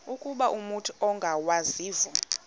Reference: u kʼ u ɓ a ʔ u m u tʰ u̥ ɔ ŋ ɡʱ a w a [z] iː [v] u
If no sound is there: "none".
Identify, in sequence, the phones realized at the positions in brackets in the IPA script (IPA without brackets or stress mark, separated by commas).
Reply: z, v